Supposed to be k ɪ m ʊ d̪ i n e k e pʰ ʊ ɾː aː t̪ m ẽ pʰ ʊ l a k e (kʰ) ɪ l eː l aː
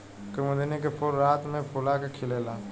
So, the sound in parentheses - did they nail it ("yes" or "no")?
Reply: yes